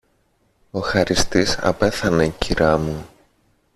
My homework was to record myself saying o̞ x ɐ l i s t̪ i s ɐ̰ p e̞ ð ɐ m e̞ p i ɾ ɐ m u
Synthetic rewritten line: o̞ x ɐ ɾ i s t̪ i s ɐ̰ p e̞ θ ɐ n e̞ c i ɾ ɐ m u